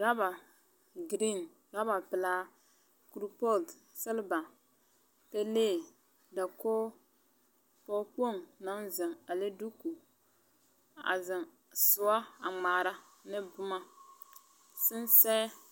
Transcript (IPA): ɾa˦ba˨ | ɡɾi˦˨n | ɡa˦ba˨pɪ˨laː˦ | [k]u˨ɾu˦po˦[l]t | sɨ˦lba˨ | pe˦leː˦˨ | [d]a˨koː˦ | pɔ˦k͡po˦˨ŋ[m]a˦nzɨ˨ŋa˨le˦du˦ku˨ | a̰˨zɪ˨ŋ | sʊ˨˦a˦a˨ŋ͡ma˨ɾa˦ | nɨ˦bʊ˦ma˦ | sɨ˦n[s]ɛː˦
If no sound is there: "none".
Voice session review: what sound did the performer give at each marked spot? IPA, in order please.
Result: k, l, d, n, s

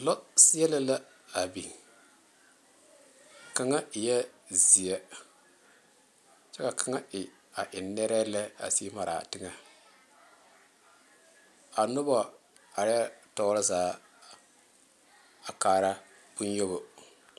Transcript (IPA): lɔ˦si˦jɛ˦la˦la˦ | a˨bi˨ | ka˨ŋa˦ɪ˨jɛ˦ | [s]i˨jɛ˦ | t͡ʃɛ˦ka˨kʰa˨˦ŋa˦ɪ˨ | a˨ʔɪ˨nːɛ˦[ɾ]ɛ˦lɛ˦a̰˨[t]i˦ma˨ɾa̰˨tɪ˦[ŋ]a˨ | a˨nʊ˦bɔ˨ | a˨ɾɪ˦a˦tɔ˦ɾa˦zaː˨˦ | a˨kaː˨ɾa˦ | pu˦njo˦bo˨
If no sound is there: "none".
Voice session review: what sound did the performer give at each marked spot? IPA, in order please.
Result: z, ɾ, s, ŋ

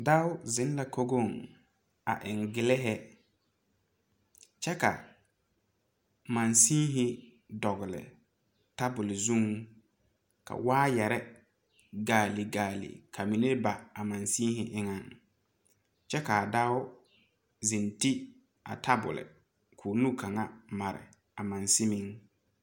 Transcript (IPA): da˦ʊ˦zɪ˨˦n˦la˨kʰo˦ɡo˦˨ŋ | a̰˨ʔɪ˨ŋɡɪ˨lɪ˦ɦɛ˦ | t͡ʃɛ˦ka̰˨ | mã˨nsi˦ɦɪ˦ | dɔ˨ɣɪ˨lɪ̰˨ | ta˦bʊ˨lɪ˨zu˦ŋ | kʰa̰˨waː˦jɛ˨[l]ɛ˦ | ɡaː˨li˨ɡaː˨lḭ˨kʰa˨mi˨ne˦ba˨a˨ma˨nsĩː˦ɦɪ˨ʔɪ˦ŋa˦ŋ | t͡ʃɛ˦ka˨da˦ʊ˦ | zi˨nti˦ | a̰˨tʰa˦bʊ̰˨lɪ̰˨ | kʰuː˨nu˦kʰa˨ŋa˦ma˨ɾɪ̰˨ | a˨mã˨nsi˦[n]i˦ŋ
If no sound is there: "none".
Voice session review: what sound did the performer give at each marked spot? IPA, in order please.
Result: ɾ, m

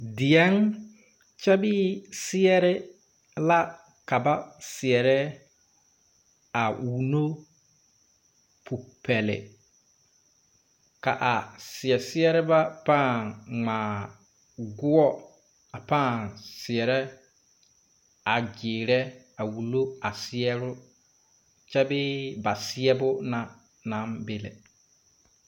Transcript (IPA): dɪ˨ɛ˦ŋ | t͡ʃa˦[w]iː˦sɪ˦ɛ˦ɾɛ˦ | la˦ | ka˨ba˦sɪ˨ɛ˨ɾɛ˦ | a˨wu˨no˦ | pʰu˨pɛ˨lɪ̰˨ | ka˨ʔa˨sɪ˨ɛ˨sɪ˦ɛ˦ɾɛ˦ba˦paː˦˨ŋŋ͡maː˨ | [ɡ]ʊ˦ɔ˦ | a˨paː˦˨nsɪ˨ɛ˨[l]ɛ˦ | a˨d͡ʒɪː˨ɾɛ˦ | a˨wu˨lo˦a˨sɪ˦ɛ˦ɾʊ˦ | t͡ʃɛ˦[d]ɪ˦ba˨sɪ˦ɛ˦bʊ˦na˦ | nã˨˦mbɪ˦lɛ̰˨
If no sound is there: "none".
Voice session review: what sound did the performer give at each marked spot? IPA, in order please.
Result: b, ɡ, ɾ, b

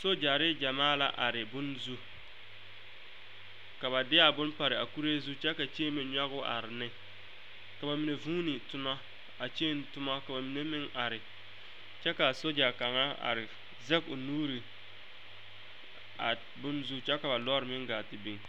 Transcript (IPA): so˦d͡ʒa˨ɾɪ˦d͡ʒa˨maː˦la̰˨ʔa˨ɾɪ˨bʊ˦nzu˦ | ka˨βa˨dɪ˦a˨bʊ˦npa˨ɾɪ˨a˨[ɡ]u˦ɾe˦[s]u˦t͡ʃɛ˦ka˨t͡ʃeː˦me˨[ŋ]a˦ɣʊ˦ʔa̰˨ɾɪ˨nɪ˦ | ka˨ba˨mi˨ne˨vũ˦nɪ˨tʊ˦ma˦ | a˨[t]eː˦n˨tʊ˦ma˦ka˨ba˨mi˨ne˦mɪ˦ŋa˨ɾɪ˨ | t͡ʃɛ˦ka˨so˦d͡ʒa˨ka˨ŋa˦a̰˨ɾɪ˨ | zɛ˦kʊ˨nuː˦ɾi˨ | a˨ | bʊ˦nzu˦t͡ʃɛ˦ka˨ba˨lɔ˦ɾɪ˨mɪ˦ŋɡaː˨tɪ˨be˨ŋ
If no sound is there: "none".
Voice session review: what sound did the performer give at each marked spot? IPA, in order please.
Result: k, z, ɲ, t͡ʃ

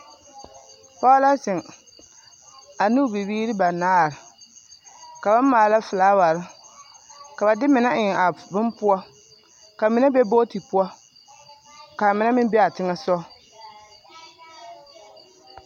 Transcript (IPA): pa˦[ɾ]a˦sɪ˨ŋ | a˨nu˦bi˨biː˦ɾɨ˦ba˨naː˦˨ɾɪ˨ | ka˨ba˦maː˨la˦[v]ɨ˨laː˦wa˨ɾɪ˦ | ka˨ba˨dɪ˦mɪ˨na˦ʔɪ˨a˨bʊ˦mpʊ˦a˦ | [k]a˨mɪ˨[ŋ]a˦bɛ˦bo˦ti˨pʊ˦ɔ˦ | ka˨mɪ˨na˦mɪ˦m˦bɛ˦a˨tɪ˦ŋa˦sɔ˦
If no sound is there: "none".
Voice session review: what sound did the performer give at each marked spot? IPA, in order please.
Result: l, f, k, n

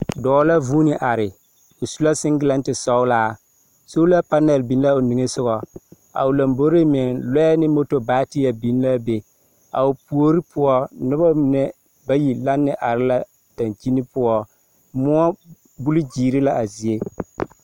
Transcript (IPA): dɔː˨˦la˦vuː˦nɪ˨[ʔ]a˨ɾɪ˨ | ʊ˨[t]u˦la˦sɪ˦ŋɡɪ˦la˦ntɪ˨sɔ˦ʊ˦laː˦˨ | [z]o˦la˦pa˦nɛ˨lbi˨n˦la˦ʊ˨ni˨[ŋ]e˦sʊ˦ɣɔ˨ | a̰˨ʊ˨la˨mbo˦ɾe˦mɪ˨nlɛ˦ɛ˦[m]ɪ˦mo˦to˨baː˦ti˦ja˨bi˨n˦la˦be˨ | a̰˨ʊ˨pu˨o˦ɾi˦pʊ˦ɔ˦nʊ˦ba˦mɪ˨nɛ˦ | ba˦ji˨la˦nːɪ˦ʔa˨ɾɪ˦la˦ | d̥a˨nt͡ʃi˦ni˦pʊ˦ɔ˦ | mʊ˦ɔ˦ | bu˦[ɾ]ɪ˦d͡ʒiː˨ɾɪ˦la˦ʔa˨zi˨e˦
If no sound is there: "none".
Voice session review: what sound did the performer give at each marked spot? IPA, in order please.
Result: ʔ, s, s, ŋ, n, l

